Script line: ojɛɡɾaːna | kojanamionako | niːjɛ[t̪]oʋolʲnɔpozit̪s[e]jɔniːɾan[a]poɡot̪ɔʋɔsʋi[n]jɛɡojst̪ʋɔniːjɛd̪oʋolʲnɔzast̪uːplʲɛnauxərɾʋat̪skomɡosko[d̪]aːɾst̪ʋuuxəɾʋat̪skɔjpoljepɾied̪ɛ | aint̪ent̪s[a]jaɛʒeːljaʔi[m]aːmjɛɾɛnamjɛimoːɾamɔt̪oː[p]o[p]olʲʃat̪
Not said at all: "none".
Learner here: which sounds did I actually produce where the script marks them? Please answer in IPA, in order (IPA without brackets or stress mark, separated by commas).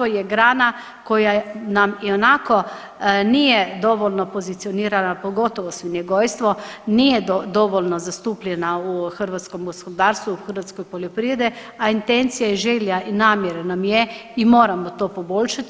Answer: d̪, i, a, n, d̪, i, n, p, b